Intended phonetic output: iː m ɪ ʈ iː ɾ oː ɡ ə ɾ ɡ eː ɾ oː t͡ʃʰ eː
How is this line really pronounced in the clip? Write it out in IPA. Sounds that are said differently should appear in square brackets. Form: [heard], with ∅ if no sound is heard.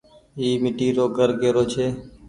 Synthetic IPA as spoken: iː m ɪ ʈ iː ɾ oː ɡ ə ɾ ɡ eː ɾ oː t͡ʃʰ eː